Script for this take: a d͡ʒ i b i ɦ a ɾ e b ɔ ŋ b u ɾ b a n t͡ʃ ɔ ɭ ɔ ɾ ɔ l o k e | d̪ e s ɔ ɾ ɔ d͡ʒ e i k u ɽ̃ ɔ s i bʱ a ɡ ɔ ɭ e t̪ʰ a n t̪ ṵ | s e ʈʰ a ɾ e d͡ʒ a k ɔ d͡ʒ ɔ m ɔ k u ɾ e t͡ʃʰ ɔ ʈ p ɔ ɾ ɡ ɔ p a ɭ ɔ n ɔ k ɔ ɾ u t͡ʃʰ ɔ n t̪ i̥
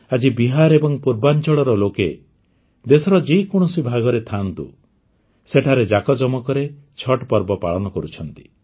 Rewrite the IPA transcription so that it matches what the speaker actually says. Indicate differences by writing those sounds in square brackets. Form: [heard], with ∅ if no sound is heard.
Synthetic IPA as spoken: a d͡ʒ i b i ɦ a ɾ e b ɔ ŋ [p] u ɾ b a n t͡ʃ ɔ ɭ ɔ ɾ ɔ l o k e | d̪ e s ɔ ɾ ɔ d͡ʒ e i k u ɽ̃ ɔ s i bʱ a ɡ ɔ [ɾ] e t̪ʰ a n t̪ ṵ | s e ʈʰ a ɾ e d͡ʒ a k ɔ d͡ʒ ɔ m ɔ k [ɔ] ɾ e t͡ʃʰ ɔ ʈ p ɔ ɾ [b] ɔ p a ɭ ɔ n ɔ k ɔ ɾ u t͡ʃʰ ɔ n t̪ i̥